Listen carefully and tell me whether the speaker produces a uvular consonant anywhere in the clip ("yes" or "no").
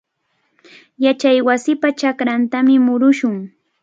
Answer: no